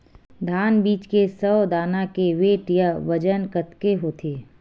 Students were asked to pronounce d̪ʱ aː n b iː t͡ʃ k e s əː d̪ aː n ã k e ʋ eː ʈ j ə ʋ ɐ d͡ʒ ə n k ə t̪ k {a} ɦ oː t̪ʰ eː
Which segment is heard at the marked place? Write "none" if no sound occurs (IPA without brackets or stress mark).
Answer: e